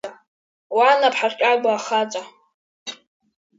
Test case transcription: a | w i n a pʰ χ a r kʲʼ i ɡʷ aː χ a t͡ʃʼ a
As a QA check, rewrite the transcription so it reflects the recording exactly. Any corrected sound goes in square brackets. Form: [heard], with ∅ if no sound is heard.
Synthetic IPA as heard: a | w [a] n a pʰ [ħ] a r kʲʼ [a] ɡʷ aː χ a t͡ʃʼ a